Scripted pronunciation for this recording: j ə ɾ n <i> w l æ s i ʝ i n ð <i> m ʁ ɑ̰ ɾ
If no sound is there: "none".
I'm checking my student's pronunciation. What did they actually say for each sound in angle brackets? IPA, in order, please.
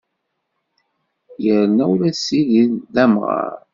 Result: æ, æ

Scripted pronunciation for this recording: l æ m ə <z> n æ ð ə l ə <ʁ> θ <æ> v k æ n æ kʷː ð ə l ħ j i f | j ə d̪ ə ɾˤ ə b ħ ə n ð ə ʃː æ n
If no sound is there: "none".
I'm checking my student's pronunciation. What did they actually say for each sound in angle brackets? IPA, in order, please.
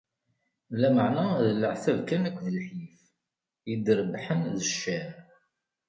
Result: ʕ, ʕ, æ

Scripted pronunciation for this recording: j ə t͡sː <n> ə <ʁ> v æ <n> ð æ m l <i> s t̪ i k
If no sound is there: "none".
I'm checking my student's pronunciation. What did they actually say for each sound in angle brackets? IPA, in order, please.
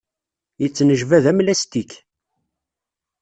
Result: n, ʒ, none, æ

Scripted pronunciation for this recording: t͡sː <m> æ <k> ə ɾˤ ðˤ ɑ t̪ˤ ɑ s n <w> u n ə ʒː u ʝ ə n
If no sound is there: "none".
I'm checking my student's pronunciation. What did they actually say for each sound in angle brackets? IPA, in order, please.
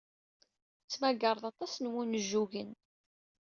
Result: m, ɡ, w

